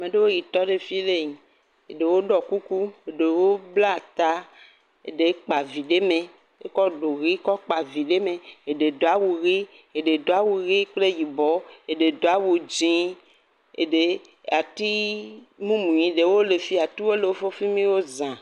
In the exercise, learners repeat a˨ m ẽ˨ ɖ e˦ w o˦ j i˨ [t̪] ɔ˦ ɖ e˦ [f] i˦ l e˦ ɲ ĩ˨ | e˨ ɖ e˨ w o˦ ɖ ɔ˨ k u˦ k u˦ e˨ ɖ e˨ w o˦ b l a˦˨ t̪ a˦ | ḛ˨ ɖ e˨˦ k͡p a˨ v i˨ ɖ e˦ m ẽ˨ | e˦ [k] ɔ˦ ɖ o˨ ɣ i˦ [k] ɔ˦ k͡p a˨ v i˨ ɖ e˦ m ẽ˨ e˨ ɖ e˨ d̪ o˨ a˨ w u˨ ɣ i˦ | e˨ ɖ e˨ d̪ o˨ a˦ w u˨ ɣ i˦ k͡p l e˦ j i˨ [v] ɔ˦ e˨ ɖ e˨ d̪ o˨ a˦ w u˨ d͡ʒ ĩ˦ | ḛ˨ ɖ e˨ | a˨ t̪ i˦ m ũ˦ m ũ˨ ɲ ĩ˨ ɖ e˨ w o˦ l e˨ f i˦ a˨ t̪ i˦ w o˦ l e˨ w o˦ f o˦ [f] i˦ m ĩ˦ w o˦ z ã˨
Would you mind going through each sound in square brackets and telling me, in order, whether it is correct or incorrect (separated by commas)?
correct, correct, correct, correct, incorrect, correct